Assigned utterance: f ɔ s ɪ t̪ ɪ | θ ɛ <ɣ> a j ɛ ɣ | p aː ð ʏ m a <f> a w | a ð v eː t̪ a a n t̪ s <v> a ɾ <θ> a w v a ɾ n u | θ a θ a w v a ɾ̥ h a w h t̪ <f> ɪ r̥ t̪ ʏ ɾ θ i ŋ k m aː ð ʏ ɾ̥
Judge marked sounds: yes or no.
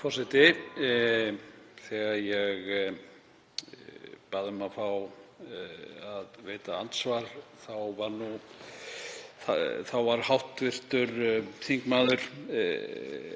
yes, yes, yes, yes, no

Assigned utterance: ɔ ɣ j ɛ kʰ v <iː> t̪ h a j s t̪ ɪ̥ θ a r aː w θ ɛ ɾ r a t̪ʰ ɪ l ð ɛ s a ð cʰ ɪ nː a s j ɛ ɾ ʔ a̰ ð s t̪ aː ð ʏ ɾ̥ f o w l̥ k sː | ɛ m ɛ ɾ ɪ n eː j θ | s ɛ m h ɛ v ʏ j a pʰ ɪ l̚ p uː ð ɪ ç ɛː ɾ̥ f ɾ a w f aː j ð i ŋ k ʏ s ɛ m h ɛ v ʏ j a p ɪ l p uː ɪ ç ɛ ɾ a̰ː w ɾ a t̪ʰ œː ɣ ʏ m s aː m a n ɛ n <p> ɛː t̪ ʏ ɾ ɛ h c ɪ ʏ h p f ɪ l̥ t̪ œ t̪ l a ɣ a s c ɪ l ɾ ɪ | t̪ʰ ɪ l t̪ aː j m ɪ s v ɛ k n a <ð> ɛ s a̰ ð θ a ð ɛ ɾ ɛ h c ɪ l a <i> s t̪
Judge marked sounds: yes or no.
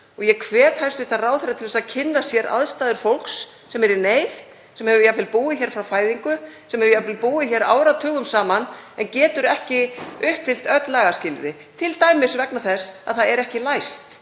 no, no, no, no

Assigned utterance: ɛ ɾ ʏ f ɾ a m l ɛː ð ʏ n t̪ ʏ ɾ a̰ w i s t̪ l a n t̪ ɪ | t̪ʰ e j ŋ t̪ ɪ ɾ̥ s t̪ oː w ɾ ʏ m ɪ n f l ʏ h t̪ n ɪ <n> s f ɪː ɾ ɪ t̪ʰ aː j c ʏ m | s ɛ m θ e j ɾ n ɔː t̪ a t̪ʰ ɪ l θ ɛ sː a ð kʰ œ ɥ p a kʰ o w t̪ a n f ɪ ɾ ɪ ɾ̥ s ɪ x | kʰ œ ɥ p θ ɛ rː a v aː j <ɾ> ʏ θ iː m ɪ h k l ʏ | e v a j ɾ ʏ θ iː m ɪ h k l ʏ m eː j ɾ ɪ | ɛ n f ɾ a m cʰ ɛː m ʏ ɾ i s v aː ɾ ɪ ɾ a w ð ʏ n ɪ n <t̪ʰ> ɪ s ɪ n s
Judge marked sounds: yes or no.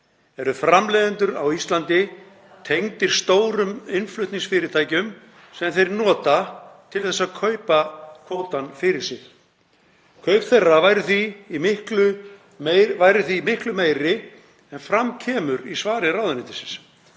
no, yes, no

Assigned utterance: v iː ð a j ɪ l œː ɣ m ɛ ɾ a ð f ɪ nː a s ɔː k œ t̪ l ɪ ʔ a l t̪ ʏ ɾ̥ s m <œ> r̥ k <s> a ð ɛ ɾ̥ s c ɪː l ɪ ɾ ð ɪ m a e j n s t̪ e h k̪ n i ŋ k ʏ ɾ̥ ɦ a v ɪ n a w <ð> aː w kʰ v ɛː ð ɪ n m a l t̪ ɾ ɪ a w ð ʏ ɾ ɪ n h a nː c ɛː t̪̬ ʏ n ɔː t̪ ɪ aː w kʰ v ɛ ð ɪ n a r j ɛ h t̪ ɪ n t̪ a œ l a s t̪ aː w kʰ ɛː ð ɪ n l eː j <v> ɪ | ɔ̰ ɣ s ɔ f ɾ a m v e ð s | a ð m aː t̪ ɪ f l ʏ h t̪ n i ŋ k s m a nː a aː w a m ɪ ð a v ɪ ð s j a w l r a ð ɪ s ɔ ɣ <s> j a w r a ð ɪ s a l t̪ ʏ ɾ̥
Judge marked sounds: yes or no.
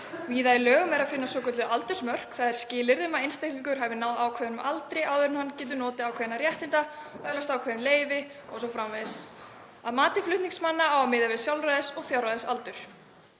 yes, no, yes, yes, no

